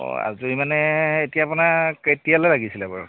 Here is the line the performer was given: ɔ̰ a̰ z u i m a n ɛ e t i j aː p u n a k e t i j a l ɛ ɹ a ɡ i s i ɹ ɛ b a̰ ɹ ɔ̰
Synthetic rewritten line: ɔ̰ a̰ z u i m a n ɛ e t i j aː p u n a k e t i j a l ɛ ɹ a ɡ i s i l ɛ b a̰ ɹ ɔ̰

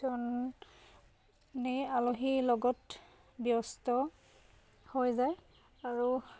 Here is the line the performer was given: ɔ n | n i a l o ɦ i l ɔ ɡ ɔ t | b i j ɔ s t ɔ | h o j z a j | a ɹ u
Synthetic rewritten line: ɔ n | n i a l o ɦ i l ɔ ɡ ɔ t | b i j ɔ s t ɔ | h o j z a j | a ɹ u

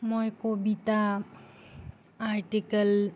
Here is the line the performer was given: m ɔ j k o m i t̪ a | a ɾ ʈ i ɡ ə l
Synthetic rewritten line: m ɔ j k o b i t̪ a | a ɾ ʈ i k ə l

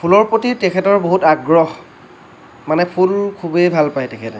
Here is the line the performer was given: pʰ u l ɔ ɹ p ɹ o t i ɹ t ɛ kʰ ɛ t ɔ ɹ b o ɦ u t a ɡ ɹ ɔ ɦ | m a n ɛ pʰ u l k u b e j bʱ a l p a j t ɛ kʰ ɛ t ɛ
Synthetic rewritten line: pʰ u l ɔ ɹ p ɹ o t i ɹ t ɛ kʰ ɛ t ɔ ɹ b o ɦ u t a ɡ ɹ ɔ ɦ | m a n ɛ pʰ u l kʰ u b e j bʱ a l p a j t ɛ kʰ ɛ t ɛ

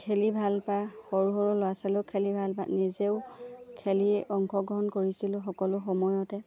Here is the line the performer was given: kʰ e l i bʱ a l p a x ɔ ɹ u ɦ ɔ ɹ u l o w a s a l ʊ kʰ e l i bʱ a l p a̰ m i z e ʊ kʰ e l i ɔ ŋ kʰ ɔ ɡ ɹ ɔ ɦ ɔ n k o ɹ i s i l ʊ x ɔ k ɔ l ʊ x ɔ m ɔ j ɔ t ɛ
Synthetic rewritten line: kʰ e l i bʱ a l p a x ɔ ɹ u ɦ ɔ ɹ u l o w a s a l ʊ kʰ e l i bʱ a l p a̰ n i z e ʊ kʰ e l i ɔ ŋ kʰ ɔ ɡ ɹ ɔ ɦ ɔ n k o ɹ i s i l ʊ x ɔ k ɔ l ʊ x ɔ m ɔ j ɔ t ɛ

